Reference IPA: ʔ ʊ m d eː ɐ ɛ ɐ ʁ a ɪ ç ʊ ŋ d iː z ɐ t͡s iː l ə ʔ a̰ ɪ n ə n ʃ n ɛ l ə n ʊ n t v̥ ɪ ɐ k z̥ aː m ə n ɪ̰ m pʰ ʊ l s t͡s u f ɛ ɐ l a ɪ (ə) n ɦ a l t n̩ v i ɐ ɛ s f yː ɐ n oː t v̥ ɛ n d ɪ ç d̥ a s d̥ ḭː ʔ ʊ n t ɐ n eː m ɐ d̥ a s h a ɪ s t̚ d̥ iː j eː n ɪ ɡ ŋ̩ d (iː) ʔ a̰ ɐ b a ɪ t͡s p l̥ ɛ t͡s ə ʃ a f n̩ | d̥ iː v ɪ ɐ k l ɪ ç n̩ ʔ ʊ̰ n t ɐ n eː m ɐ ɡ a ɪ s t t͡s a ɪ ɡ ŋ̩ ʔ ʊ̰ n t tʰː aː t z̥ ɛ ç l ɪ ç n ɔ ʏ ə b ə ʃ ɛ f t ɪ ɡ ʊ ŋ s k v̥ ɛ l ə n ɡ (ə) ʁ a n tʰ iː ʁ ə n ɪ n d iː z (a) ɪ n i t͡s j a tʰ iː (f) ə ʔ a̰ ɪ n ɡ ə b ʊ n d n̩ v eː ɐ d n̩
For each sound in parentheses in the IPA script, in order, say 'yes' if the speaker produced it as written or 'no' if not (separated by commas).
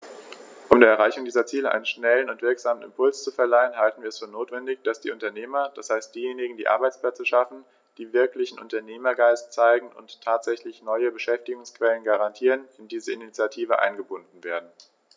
yes, yes, no, no, no